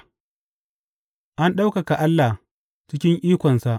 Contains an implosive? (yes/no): yes